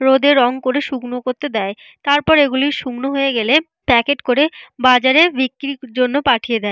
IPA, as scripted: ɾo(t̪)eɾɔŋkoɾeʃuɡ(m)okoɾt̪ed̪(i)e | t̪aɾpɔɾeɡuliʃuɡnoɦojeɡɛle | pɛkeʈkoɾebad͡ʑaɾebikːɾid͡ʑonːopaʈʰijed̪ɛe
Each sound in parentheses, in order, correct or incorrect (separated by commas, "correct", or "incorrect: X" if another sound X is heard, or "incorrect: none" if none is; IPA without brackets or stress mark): incorrect: d̪, incorrect: n, incorrect: ɛ